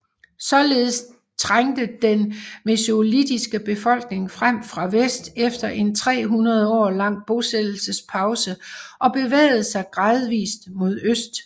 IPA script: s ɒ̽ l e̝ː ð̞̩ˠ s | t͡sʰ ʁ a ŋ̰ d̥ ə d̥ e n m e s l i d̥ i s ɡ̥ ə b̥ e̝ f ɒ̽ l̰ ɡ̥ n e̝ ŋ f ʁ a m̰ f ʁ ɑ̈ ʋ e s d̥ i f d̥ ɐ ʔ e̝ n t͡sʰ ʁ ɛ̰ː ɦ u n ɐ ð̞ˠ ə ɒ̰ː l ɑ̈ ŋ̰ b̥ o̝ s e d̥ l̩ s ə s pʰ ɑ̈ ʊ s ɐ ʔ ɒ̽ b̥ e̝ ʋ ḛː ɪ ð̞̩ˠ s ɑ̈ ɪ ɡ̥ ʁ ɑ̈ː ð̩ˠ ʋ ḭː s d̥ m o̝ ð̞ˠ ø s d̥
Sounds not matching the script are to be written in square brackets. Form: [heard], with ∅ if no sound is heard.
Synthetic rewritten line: s ɒ̽ l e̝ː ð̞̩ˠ s | t͡sʰ ʁ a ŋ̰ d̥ ə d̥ e n m e s l i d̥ i s ɡ̥ ə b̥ e̝ f ɒ̽ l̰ ɡ̥ n e̝ ŋ f ʁ a m̰ f ʁ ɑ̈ ʋ e s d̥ [e] f d̥ ɐ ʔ e̝ n t͡sʰ ʁ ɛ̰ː ɦ u n ɐ ð̞ˠ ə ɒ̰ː l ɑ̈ ŋ̰ b̥ o̝ s e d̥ l̩ s ə s pʰ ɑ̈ ʊ s [ə] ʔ ɒ̽ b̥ e̝ ʋ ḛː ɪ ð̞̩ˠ s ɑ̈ ɪ ɡ̥ ʁ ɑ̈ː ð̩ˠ ʋ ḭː s d̥ m o̝ ð̞ˠ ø s d̥